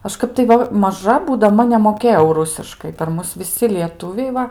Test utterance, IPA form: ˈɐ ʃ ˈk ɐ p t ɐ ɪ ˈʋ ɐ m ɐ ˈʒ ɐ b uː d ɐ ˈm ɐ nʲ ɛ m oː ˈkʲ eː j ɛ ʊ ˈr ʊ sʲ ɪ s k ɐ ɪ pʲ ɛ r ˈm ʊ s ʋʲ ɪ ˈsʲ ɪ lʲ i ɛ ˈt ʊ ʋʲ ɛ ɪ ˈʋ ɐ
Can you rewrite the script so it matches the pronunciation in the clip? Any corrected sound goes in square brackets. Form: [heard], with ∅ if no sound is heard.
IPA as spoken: ˈɐ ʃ ˈk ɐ p t ɐ ɪ ˈʋ ɐ m ɐ ˈʒ ɐ b uː d ɐ ˈm ɐ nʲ ɛ m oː ˈkʲ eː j ɛ ʊ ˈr ʊ sʲ ɪ [ʃ] k ɐ ɪ pʲ ɛ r ˈm ʊ s ʋʲ ɪ ˈsʲ ɪ lʲ i ɛ ˈt ʊ ʋʲ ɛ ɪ ˈʋ ɐ